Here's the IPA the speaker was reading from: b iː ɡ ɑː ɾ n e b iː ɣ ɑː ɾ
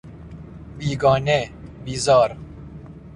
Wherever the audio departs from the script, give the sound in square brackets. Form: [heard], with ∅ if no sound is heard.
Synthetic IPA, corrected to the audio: b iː ɡ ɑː [∅] n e b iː [z] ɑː ɾ

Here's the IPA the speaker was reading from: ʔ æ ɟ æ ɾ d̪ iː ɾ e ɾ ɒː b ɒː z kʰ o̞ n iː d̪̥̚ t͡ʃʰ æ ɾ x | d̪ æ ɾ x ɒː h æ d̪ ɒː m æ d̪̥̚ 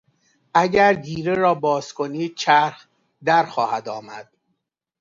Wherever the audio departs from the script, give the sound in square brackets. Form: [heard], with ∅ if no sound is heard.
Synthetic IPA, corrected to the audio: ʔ æ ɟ æ ɾ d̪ iː ɾ e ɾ ɒː b ɒː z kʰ o̞ n iː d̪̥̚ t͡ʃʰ æ ɾ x | d̪ æ ɾ x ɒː h æ d̪ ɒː m æ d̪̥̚

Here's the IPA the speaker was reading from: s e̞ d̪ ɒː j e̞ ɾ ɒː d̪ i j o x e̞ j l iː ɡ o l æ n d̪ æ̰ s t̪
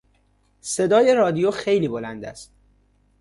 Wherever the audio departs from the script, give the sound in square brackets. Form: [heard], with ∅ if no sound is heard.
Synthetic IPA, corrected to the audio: s e̞ d̪ ɒː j e̞ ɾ ɒː d̪ i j o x e̞ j l iː [b] o l æ n d̪ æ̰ s t̪

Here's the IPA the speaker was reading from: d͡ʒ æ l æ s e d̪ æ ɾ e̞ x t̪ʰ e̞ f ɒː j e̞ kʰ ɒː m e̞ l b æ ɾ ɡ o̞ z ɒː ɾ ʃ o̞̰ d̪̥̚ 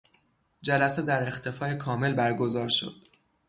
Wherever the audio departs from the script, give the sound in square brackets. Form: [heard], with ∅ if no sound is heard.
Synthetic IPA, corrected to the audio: d͡ʒ æ l æ s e d̪ æ ɾ e̞ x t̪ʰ e̞ f ɒː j e̞ kʰ ɒː m e̞ l b æ ɾ ɡ o̞ z ɒː ɾ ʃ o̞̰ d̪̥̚

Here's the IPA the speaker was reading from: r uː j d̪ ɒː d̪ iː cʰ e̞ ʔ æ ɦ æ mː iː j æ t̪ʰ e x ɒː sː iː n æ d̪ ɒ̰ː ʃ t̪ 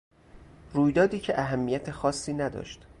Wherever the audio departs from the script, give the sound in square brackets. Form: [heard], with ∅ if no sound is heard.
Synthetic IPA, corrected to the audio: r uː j d̪ ɒː d̪ iː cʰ e̞ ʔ æ ɦ æ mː [i] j æ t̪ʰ e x ɒː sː iː n æ d̪ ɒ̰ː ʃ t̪

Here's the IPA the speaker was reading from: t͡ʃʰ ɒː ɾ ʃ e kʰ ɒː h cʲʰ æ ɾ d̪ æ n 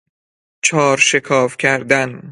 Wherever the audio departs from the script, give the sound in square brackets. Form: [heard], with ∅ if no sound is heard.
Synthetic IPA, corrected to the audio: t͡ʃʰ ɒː ɾ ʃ e kʰ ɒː [f] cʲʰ æ ɾ d̪ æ n

